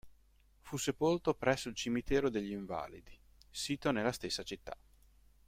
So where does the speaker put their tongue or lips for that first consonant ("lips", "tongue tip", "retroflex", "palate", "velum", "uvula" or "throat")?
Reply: lips